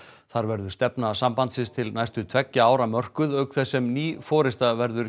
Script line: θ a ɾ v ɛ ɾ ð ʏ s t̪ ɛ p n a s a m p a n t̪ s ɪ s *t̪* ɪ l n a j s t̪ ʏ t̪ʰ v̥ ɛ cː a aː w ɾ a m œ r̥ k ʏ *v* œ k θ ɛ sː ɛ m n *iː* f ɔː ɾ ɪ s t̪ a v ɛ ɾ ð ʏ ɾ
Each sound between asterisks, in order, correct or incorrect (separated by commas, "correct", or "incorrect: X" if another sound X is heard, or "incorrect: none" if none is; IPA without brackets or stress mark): incorrect: t̪ʰ, incorrect: ð, correct